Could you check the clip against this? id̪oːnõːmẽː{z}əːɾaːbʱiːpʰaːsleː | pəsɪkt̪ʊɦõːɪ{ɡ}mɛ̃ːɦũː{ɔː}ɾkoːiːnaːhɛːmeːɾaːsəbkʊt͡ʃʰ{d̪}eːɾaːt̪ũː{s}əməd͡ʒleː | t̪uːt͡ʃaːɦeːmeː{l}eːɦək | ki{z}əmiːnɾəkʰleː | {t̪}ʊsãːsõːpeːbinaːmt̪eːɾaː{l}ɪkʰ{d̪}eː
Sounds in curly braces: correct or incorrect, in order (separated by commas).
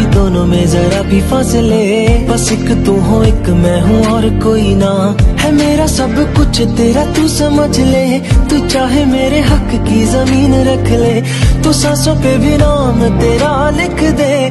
correct, incorrect, correct, incorrect, correct, incorrect, correct, correct, correct, correct